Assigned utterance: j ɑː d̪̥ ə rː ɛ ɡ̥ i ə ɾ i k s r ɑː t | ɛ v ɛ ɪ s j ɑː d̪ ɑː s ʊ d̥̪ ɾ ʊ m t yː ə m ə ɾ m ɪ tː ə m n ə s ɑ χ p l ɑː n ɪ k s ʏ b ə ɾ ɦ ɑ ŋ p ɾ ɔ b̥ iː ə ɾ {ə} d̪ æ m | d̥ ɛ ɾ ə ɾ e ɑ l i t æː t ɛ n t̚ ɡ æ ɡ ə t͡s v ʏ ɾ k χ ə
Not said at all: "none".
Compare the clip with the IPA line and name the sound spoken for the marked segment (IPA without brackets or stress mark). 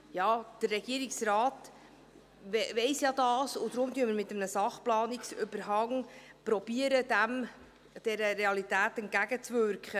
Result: ə